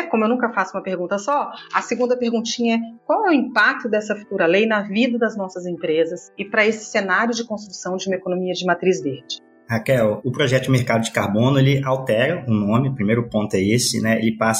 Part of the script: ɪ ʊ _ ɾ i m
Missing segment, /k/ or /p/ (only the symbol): p